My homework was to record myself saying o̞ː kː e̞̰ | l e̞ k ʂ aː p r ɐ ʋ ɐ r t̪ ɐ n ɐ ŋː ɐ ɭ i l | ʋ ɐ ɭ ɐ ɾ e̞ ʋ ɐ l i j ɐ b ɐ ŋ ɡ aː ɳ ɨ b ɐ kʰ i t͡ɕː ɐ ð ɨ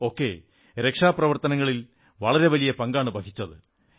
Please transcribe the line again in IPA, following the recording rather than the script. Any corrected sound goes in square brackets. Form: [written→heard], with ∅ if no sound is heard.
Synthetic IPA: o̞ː kː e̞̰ | [l→ɾ] e̞ k ʂ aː p r ɐ ʋ ɐ r t̪ ɐ n ɐ ŋː ɐ ɭ i l | ʋ ɐ ɭ ɐ ɾ e̞ ʋ ɐ l i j ɐ [b→p] ɐ ŋ ɡ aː ɳ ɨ b ɐ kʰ i t͡ɕː ɐ ð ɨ